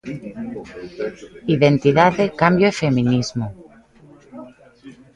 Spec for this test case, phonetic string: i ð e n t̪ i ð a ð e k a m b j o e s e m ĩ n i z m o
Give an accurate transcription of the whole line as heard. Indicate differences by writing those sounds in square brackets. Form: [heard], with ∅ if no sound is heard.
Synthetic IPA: i ð e n t̪ i ð a ð e k a m b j o e [f] e m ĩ n i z m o

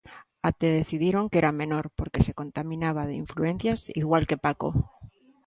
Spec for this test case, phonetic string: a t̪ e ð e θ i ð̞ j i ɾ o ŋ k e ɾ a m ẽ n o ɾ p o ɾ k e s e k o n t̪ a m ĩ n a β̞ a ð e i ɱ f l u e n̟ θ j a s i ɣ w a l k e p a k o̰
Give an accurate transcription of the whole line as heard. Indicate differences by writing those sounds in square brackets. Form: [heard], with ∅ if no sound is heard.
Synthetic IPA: a t̪ e ð e θ i ð̞ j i ɾ o ŋ k e ɾ a m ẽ n o ɾ p o ɾ k e s e k o n t̪ a m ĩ n a β̞ a ð e i ɱ f l u e n̟ θ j a s i ɣ w a l k e p a k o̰

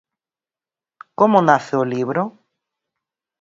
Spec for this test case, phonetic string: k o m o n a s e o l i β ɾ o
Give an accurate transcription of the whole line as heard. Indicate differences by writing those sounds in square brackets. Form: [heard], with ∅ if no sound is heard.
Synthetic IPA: k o m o n a [θ] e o l i β ɾ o

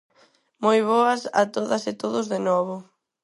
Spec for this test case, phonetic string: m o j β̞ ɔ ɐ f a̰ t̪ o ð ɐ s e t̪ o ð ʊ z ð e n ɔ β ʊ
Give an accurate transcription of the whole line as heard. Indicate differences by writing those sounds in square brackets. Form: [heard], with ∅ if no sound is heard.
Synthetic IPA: m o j β̞ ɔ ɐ [s] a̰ t̪ o ð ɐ s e t̪ o ð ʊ z ð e n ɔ β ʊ

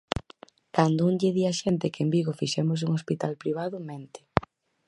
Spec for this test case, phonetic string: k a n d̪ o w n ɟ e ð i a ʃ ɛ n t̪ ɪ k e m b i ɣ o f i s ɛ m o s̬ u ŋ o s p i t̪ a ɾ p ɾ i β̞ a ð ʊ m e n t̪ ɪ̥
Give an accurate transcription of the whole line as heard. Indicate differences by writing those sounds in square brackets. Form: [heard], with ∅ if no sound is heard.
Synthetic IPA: k a n d̪ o [u] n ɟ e ð i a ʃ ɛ n t̪ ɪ k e m b i ɣ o f i [ʃ] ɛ m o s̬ u ŋ o s p i t̪ a [l] p ɾ i β̞ a ð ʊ m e n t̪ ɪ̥

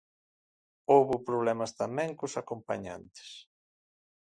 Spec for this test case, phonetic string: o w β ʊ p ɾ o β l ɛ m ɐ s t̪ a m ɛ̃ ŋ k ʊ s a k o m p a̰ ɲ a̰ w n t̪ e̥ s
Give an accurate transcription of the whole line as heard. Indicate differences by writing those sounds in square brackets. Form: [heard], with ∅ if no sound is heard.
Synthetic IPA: o w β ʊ p ɾ o β l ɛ m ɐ s t̪ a m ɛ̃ ŋ k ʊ s a k o m p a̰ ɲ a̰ [∅] n t̪ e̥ s

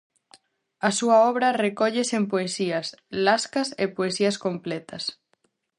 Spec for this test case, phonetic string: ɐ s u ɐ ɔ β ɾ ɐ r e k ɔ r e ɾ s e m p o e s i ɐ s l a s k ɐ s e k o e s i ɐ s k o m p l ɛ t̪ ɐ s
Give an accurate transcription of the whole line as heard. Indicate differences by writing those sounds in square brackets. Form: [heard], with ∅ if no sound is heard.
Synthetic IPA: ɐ s u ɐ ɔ β ɾ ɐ r e k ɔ [ʎ] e [∅] s e m p o e s i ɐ s l a s k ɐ s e [p] o e s i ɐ s k o m p l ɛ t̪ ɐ s

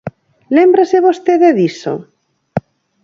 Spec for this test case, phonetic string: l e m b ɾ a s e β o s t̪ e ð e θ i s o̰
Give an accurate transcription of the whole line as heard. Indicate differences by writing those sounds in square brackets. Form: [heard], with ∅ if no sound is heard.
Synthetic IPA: l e m b ɾ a s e β o s t̪ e ð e [ð] i s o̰

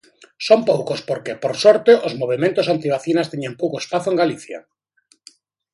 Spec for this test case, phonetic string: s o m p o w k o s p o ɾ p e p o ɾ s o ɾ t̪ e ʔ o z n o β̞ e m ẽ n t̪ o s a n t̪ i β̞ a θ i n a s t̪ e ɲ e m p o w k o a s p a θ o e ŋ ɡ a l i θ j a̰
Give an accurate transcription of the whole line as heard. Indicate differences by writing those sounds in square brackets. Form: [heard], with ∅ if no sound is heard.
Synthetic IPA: s o m p o w k o s p o ɾ [k] e p o ɾ s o ɾ t̪ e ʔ o z [m] o β̞ e m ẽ n t̪ o s a n t̪ i β̞ a θ i n a s t̪ e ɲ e m p o w k o [e] s p a θ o e ŋ ɡ a l i θ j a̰

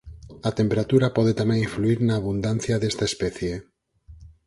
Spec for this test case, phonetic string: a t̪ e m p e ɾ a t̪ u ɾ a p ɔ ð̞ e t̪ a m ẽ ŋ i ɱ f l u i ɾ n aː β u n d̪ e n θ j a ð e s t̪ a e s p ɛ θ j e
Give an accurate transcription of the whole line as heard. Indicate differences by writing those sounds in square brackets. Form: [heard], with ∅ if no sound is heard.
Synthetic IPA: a t̪ e m p e ɾ a t̪ u ɾ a p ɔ ð̞ e t̪ a m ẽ ŋ i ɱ f l u i ɾ n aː β u n d̪ [a] n θ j a ð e s t̪ a e s p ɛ θ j e

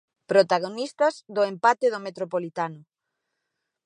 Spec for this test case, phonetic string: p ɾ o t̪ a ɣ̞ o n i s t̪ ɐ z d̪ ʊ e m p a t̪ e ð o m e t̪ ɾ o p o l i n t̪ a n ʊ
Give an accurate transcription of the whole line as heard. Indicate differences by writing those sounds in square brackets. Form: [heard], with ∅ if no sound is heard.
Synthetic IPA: p ɾ o t̪ a ɣ̞ o n i s t̪ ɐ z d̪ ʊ e m p a t̪ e ð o m e t̪ ɾ o p o l i [∅] t̪ a n ʊ

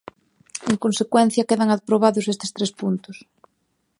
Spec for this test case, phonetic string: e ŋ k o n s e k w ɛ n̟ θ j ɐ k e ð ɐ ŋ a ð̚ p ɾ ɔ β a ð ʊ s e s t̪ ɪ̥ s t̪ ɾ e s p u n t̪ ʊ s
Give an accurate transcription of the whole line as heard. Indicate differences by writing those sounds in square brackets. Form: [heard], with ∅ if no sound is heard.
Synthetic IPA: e ŋ k o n s e k w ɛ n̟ θ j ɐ k e ð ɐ ŋ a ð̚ p ɾ [o] β a ð ʊ s e s t̪ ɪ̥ s t̪ ɾ e s p u n t̪ ʊ s

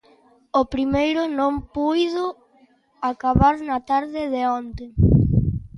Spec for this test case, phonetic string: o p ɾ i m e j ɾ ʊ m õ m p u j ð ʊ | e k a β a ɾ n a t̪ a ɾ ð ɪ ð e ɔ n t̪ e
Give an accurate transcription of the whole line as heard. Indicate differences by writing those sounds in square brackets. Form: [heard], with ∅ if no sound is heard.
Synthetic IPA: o p ɾ i m e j ɾ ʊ [n] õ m p u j ð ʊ | [a] k a β a ɾ n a t̪ a ɾ ð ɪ ð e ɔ n t̪ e

